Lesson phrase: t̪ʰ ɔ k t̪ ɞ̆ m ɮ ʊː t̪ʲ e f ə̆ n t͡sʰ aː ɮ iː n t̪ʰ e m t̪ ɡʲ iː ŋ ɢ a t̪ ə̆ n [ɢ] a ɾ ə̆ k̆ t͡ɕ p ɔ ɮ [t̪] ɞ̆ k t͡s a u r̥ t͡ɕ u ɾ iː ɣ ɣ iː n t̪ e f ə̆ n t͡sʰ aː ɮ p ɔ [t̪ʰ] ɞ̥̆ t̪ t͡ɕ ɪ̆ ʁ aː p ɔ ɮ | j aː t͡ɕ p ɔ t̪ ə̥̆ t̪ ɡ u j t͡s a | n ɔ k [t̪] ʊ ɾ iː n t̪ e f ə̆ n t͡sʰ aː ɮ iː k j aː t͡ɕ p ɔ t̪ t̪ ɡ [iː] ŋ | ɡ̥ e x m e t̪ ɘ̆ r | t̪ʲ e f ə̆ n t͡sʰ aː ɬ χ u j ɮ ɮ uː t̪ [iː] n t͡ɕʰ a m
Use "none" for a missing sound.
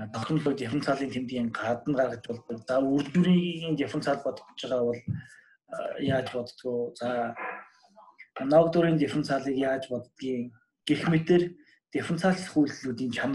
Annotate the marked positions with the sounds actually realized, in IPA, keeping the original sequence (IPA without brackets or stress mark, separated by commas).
ɢ, t̪, t̪, t̪, iː, iː